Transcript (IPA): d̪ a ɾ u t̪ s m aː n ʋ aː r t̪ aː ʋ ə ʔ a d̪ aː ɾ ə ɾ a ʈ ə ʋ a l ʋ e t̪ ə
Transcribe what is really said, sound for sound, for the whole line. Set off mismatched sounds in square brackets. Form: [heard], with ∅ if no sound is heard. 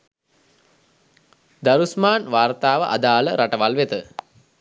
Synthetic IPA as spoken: d̪ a ɾ u [∅] s m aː n ʋ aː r t̪ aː ʋ ə ʔ a d̪ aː [l] ə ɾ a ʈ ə ʋ a l ʋ e t̪ ə